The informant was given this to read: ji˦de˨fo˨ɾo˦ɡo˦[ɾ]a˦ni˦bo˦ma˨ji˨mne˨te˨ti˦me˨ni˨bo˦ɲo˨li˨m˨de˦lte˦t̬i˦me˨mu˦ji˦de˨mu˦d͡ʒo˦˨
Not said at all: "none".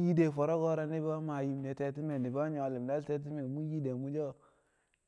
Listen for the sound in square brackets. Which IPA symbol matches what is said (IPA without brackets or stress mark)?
ɾ